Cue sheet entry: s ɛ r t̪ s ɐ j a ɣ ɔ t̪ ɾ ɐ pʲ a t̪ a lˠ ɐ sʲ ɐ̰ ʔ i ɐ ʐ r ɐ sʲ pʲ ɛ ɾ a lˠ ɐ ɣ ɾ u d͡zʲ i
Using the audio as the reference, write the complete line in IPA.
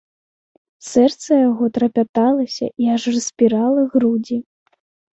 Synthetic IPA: s ɛ r t̪ s ɐ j a ɣ ɔ t̪ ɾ ɐ pʲ a t̪ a lˠ ɐ sʲ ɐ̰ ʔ i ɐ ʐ r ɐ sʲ pʲ i ɾ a lˠ ɐ ɣ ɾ u d͡zʲ i